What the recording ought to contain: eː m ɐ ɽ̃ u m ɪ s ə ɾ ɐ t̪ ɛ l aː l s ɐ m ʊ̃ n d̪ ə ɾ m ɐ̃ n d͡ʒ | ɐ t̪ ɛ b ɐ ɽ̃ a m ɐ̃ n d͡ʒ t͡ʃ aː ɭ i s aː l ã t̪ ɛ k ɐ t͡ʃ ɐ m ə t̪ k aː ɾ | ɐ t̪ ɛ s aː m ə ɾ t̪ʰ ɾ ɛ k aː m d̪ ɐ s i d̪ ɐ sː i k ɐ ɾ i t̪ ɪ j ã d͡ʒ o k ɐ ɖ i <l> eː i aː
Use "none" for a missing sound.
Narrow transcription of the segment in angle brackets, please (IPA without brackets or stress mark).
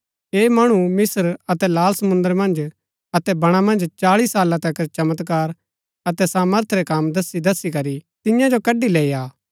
l